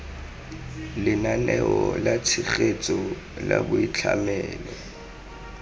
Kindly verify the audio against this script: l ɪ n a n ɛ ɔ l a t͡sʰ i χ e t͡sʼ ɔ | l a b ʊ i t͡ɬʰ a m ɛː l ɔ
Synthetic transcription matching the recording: l ɪ n a n ɛ ɔ l a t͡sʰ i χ e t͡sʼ ɔ | l a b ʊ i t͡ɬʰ a m ɛː l ɔ